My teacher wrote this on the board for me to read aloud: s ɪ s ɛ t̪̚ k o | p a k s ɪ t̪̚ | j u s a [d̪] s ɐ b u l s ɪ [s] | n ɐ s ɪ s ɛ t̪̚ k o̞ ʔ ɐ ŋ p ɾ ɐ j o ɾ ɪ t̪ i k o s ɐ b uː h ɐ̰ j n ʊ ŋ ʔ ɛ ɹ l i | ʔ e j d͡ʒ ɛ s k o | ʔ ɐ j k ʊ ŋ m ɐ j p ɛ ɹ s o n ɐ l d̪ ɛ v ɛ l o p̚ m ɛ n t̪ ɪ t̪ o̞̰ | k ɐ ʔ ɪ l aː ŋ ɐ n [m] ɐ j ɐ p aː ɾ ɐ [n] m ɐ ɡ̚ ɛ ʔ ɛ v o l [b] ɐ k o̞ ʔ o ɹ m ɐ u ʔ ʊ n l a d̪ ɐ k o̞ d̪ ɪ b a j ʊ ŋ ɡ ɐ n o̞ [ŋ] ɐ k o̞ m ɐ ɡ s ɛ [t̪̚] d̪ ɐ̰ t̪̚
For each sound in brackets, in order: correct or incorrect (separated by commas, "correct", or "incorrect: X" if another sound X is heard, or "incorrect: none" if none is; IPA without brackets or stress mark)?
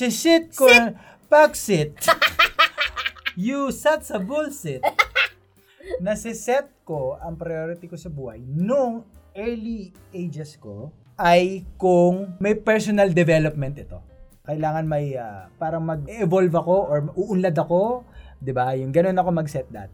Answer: incorrect: t̪, incorrect: t, correct, incorrect: ŋ, incorrect: v, incorrect: n, correct